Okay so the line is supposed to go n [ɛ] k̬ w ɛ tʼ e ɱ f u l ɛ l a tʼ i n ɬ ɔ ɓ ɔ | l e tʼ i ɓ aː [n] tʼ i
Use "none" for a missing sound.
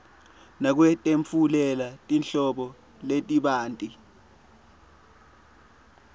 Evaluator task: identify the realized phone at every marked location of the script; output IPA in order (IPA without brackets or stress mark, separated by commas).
a, n